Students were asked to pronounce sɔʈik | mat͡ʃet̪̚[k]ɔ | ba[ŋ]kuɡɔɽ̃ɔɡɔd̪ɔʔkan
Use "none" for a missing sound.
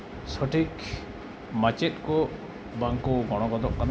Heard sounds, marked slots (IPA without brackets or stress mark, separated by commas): k, ŋ